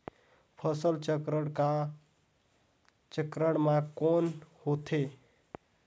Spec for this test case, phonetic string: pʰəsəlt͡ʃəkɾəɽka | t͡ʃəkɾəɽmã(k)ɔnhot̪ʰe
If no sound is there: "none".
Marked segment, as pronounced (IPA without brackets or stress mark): k